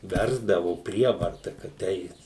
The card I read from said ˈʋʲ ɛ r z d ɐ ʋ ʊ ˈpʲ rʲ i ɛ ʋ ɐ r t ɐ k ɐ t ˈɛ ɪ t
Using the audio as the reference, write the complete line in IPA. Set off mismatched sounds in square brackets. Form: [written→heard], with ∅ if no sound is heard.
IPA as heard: ˈʋʲ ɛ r z d ɐ ʋ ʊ ˈpʲ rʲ i ɛ ʋ ɐ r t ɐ k ɐ t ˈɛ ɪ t